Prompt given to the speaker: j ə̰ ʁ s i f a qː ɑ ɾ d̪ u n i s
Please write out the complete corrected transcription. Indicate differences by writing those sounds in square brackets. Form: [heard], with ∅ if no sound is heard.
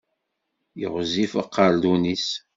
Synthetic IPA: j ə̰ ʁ [z] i f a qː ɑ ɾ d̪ u n i s